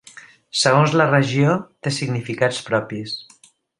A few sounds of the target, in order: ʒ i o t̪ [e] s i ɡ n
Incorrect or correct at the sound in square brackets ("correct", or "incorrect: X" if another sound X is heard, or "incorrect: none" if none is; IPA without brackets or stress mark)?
correct